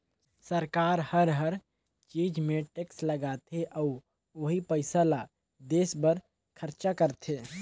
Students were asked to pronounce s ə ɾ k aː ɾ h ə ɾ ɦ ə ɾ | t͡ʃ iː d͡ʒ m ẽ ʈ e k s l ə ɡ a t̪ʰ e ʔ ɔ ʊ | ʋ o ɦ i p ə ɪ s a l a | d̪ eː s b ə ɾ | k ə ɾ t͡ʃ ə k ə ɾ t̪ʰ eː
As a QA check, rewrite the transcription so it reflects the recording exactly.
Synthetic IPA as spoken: s ə ɾ k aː ɾ h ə ɾ ɦ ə ɾ | t͡ʃ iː d͡ʒ m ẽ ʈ e k s l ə ɡ a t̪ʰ e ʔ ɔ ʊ | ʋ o ɦ i p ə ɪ s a l a | d̪ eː s b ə ɾ | kʰ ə ɾ t͡ʃ a k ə ɾ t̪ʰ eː